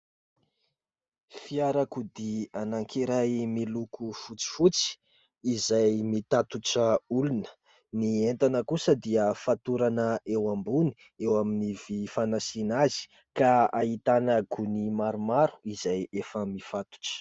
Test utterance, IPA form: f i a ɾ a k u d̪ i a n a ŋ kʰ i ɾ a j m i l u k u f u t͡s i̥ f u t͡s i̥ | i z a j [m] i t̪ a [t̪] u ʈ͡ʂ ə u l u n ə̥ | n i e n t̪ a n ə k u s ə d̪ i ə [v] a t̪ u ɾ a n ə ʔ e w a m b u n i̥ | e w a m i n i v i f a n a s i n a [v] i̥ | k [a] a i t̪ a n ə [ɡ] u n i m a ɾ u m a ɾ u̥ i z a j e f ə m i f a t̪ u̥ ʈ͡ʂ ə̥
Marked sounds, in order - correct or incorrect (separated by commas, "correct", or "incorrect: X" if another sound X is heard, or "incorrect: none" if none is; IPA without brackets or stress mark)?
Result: correct, correct, incorrect: f, incorrect: z, correct, correct